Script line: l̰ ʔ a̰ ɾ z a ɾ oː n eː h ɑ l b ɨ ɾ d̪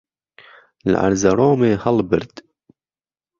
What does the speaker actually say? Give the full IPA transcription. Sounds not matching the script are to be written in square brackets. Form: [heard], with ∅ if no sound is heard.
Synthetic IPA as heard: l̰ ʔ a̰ ɾ z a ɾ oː [m] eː h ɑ l b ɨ ɾ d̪